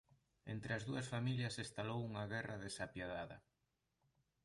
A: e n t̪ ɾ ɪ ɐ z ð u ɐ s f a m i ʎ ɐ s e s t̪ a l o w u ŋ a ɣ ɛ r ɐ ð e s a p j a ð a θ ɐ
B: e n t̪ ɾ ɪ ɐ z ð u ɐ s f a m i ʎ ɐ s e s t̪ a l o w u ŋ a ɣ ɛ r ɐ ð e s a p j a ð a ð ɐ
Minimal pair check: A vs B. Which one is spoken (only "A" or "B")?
B